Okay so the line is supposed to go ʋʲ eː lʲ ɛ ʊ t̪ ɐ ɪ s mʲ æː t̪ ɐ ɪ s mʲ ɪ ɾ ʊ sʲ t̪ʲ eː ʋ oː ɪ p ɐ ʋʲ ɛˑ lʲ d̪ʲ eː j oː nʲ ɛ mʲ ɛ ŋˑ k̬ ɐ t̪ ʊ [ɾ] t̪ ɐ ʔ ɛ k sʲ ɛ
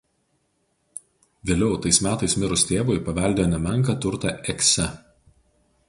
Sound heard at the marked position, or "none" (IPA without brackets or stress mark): ɾ